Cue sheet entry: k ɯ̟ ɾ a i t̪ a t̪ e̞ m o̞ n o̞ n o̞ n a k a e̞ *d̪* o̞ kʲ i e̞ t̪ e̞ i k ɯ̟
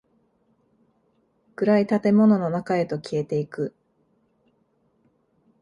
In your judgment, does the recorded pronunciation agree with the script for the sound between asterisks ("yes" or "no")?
no